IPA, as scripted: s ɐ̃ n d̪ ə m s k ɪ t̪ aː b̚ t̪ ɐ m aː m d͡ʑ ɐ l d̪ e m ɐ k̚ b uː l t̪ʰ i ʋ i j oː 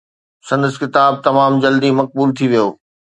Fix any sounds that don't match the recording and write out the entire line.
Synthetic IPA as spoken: s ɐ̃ n d̪ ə s k ɪ t̪ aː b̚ t̪ ɐ m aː m d͡ʑ ɐ l d̪ i m ɐ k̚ b uː l t̪ʰ i ʋ i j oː